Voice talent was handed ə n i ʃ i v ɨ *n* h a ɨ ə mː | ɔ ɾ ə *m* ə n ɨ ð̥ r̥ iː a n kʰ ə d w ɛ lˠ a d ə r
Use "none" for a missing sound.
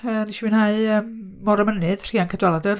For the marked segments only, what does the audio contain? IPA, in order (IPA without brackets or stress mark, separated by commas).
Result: n, m